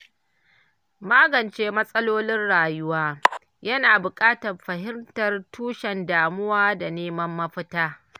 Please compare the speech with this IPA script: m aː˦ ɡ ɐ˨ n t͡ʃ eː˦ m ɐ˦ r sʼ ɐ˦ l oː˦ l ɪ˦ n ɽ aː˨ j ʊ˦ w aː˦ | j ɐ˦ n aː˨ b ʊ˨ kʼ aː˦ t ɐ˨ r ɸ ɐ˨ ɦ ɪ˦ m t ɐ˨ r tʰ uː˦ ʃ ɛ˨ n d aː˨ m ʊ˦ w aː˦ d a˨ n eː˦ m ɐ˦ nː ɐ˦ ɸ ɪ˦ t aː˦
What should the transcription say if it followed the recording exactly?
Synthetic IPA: m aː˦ ɡ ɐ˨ n t͡ʃ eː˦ m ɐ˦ sʼ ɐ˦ l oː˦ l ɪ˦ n ɽ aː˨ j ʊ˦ w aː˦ | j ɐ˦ n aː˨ b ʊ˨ kʼ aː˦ t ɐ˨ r ɸ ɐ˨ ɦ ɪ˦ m t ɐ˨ r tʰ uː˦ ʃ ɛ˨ n d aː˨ m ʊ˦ w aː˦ d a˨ n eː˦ m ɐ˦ mː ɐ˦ ɸ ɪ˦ t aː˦